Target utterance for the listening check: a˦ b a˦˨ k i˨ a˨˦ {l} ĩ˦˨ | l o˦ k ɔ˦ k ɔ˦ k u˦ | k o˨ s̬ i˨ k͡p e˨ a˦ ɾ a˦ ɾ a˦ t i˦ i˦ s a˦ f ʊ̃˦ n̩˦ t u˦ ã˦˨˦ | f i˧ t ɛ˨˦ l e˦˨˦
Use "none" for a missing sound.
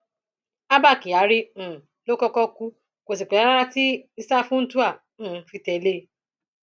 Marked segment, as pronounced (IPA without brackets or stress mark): ɾ